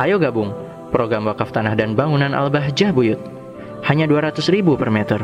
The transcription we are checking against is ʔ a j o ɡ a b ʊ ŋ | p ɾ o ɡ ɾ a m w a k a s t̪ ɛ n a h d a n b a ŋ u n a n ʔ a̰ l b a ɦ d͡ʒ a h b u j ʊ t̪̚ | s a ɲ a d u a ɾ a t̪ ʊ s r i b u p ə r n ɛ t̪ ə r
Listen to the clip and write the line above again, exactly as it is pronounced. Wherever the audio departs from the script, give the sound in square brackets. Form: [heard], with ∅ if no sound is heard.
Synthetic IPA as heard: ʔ a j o ɡ a b ʊ ŋ | p ɾ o ɡ ɾ a m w a k a [f] t̪ [a] n a h d a n b a ŋ u n a n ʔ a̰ l b a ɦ d͡ʒ a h b u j ʊ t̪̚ | [h] a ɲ a d u a ɾ a t̪ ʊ s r i b u p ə r [m] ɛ t̪ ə r